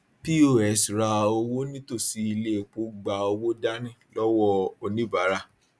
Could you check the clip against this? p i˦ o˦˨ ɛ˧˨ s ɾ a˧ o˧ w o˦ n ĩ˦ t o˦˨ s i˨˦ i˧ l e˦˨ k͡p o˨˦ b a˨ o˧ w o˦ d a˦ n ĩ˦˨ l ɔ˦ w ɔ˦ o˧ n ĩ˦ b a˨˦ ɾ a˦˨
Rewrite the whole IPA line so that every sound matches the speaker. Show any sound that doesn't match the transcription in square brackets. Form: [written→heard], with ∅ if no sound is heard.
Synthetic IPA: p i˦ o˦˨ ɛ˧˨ s ɾ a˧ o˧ w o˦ n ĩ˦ t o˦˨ s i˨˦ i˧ l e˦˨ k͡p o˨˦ [b→ɡ͡b] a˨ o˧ w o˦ d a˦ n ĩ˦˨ l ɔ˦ w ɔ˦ o˧ n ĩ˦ b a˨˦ ɾ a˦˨